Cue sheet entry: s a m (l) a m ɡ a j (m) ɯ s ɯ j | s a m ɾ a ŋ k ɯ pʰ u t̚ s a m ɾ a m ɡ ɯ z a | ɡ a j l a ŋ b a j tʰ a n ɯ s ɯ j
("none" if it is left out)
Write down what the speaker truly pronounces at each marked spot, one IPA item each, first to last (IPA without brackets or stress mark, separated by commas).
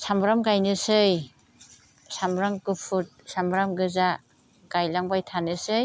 ɾ, n